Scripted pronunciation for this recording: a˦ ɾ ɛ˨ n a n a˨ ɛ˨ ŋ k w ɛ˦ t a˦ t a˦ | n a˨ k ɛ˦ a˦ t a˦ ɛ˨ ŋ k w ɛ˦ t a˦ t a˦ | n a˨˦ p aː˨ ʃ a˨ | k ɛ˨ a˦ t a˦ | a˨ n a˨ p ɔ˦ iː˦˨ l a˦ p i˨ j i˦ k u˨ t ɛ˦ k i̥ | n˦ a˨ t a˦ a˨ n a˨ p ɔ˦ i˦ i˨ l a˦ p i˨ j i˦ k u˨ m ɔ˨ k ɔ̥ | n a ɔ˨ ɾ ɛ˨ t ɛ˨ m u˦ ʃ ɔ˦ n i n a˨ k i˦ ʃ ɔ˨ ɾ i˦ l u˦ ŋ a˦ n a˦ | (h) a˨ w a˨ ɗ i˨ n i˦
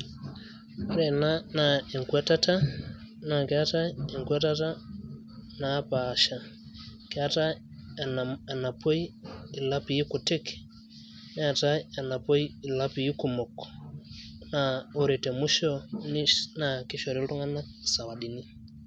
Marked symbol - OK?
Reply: no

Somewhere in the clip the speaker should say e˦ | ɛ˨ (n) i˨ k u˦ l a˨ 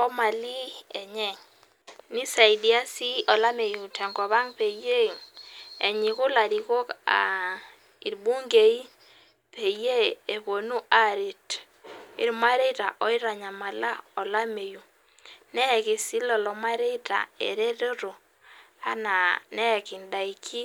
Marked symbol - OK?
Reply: no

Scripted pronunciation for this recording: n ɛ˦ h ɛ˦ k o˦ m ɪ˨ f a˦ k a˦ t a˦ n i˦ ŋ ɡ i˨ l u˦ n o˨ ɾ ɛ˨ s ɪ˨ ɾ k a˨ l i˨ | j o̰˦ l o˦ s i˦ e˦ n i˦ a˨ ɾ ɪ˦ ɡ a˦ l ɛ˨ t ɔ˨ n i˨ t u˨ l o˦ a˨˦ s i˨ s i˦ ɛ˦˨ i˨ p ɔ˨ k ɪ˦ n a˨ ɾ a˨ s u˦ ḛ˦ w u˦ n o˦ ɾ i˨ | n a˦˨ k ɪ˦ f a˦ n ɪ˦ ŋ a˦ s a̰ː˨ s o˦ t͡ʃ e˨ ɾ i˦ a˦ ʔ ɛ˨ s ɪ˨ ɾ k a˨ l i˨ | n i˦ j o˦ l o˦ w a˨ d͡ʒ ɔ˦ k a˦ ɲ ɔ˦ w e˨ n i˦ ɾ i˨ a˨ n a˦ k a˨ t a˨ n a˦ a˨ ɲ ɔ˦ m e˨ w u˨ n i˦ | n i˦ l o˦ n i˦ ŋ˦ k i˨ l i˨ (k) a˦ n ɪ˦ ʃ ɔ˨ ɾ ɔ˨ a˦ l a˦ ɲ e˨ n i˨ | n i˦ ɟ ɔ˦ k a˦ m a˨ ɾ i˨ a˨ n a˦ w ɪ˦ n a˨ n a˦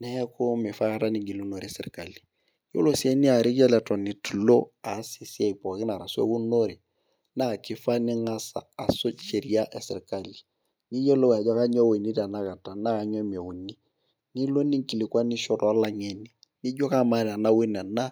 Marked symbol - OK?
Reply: yes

